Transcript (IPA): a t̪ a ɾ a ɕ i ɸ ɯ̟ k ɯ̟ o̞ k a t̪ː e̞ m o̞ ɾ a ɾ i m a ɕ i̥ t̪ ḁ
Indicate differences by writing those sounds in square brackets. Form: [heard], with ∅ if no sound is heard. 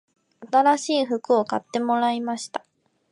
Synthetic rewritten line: a t̪ a ɾ a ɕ [iː] ɸ ɯ̟ k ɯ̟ o̞ k a t̪ː e̞ m o̞ ɾ a [∅] i m a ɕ i̥ t̪ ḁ